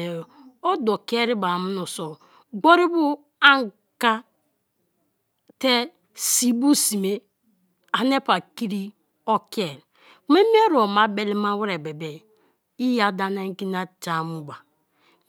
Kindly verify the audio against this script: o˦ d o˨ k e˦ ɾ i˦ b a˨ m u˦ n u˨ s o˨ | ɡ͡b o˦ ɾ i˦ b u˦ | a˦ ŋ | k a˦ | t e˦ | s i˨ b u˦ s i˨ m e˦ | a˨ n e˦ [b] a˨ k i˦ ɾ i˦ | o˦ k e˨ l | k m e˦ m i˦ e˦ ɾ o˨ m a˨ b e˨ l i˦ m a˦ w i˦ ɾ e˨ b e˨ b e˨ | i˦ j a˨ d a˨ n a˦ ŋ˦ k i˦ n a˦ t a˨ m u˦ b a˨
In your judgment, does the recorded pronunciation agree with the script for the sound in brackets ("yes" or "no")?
no